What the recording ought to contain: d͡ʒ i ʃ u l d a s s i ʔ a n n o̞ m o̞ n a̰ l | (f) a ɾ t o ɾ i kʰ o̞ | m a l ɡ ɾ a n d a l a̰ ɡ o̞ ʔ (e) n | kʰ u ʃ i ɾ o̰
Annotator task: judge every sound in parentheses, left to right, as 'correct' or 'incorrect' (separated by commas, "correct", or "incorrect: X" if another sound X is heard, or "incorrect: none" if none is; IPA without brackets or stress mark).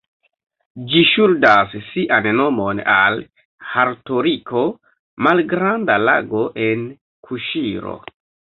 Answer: incorrect: h, correct